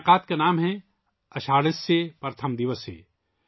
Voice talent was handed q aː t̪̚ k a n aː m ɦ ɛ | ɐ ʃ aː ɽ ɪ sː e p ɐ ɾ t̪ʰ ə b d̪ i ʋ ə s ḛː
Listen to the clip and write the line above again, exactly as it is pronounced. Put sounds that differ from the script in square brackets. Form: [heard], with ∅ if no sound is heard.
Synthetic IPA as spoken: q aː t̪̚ k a n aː m ɦ ɛ | ɐ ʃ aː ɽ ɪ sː e p ɐ ɾ t̪ʰ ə [m] d̪ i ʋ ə s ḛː